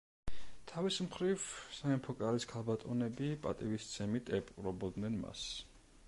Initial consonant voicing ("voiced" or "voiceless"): voiceless